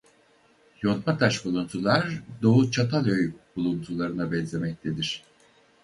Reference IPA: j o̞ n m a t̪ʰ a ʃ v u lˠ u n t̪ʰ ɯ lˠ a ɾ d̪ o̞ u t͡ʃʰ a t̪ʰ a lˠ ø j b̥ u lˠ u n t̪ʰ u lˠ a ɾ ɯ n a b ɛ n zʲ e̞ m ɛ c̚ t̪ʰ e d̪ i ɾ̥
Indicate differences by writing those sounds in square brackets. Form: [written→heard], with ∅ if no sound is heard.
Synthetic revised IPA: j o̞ n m a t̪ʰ a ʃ [v→b] u lˠ u n t̪ʰ [ɯ→u] lˠ a ɾ d̪ o̞ u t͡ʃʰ a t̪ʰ a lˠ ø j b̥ u lˠ u n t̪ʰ u lˠ a ɾ ɯ n a b ɛ n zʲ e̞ m ɛ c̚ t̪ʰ e d̪ i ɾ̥